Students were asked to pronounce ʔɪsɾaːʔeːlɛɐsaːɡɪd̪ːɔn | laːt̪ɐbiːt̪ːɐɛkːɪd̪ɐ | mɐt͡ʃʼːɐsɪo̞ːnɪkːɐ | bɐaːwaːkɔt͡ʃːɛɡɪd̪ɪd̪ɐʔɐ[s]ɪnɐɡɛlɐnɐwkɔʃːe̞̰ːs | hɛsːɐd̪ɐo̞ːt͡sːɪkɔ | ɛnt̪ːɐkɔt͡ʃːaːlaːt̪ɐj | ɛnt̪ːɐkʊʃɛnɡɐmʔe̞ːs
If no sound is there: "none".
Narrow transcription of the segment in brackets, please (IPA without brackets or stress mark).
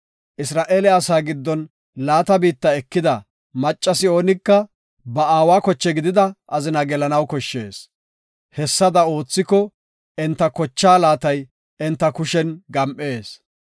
z